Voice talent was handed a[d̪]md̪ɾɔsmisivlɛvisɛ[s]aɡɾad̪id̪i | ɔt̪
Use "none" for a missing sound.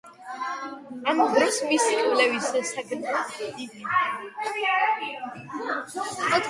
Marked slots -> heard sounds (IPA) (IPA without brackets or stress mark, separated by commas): none, s